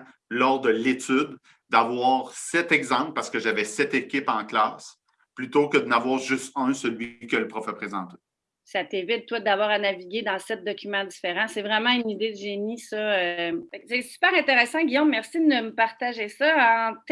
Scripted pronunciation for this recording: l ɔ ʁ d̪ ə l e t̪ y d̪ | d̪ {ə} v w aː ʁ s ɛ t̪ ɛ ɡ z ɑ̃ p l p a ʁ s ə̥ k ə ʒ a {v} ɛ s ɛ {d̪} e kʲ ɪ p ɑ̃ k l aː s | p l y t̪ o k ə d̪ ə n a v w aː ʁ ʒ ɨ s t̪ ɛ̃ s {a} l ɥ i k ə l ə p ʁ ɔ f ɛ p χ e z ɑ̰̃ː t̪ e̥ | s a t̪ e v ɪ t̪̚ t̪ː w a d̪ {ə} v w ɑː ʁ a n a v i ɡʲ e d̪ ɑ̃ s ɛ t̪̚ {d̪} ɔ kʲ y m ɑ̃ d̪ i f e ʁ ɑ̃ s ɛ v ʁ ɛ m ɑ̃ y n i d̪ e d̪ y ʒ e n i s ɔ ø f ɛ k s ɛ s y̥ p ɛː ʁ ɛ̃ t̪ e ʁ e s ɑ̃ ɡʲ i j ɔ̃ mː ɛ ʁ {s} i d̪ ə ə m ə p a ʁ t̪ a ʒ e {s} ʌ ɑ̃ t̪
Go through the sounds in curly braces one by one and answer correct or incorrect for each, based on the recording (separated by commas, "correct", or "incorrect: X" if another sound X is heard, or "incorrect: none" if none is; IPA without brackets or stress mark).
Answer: incorrect: a, correct, incorrect: t̪, incorrect: ə, incorrect: a, correct, correct, correct